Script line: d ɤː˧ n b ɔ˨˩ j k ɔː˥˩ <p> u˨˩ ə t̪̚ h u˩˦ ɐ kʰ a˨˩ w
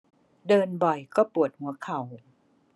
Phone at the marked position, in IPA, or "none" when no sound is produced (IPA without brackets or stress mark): p